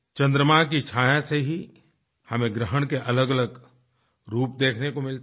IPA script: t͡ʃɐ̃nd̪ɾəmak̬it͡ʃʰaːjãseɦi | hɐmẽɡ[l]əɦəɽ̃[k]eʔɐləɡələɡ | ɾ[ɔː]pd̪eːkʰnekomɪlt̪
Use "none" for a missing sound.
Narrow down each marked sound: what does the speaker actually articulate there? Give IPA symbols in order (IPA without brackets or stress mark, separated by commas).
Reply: ɾ, k, uː